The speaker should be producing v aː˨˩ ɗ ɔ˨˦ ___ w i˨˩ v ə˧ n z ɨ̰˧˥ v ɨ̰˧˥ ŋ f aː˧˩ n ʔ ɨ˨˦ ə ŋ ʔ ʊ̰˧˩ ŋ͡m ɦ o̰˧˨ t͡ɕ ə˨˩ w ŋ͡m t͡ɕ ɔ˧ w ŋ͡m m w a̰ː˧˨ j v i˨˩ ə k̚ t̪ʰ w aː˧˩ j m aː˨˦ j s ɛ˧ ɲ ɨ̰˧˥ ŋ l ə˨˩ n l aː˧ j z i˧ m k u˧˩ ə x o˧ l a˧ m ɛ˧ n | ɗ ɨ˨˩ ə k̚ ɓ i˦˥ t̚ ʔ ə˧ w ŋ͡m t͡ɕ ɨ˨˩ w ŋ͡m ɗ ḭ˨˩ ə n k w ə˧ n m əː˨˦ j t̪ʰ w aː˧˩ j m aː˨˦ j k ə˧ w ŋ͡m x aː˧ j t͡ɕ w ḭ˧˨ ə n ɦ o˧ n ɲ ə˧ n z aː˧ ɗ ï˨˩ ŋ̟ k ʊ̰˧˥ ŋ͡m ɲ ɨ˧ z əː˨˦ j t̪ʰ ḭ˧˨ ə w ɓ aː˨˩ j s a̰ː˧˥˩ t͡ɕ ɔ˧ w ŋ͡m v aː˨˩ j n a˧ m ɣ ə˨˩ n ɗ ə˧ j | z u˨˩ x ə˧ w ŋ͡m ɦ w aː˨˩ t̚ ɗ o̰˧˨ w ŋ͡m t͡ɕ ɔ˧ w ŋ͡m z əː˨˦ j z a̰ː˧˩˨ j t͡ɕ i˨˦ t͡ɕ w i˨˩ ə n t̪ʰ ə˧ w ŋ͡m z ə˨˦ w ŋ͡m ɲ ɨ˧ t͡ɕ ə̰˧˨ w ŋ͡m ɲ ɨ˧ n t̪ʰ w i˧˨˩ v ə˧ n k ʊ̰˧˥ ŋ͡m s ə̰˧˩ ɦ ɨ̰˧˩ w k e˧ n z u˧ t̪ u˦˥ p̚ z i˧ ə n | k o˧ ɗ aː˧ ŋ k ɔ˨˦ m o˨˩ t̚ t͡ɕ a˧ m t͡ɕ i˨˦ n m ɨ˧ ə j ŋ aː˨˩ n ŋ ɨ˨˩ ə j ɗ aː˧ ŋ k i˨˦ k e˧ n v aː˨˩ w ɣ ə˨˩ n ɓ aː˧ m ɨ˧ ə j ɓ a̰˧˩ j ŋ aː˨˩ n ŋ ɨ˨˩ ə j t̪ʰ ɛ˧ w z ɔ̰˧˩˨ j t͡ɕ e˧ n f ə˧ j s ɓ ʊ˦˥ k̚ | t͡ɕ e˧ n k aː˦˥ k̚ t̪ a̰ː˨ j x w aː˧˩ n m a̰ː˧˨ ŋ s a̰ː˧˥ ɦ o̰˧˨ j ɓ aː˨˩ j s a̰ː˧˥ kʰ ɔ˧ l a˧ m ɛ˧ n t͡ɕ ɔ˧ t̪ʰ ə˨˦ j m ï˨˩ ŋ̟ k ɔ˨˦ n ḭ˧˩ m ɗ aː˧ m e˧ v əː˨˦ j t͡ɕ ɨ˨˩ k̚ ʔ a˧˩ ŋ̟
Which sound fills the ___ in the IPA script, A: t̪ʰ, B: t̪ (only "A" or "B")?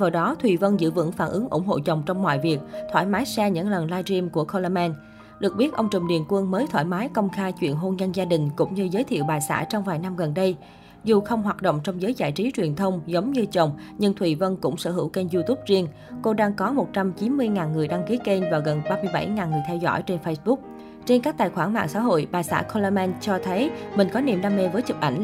A